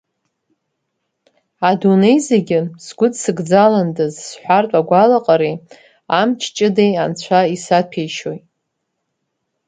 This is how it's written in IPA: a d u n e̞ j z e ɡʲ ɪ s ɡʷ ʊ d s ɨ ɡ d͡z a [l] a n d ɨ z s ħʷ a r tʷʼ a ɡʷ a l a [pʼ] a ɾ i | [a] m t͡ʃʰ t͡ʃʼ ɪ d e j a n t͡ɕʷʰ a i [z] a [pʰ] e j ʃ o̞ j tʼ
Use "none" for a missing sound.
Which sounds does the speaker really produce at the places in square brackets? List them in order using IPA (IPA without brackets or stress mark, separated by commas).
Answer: l, qʼ, a, s, pʰ